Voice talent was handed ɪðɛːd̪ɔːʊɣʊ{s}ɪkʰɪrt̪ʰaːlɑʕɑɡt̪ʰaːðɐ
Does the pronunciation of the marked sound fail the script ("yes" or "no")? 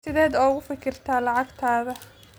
yes